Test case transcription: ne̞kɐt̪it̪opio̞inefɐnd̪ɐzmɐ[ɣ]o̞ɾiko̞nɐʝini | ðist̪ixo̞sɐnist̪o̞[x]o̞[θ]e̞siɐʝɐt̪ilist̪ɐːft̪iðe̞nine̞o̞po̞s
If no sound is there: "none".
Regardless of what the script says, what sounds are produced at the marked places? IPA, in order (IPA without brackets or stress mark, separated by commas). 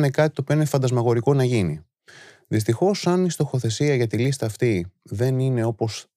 ɣ, x, θ